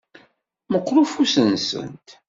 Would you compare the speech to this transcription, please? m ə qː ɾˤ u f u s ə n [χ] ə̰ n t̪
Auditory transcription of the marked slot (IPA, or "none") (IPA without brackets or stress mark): s